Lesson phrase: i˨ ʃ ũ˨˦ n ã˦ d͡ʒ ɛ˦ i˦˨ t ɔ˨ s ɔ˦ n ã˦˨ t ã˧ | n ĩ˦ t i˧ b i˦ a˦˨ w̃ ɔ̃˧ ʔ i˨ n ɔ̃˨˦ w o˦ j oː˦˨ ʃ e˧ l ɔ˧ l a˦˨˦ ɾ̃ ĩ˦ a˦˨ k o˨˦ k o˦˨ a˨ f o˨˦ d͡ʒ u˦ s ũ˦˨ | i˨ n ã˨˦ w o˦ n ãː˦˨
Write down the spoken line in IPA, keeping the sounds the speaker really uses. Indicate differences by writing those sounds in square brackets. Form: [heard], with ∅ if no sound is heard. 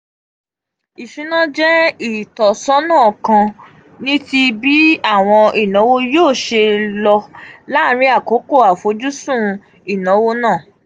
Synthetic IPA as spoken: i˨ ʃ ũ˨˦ n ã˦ d͡ʒ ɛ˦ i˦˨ t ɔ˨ s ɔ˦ n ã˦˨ [k] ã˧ | n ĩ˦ t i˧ b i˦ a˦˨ w̃ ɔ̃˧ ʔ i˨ n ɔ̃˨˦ w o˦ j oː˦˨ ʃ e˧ l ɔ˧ l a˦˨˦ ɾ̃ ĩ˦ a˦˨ k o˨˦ k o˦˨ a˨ f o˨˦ d͡ʒ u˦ s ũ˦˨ | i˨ n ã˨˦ w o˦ n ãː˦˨